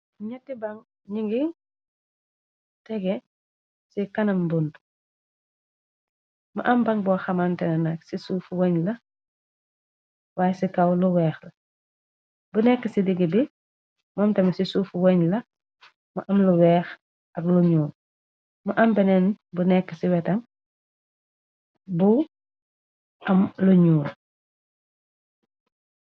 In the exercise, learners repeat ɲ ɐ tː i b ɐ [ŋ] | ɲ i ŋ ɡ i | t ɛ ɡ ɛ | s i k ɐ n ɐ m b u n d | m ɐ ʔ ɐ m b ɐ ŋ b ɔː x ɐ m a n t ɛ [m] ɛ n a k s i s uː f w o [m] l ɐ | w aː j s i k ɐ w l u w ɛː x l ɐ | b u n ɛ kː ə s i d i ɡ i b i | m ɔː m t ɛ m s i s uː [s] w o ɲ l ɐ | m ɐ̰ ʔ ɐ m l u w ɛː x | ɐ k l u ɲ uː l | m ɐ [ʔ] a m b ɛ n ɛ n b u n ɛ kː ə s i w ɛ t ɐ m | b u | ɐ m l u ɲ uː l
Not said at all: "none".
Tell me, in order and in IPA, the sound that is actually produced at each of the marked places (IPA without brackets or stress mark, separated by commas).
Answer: ŋ, n, ɲ, f, ʔ